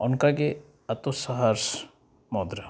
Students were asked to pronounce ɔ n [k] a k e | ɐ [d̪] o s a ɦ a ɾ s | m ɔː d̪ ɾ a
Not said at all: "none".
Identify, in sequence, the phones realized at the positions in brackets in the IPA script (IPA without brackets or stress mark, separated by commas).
k, t̪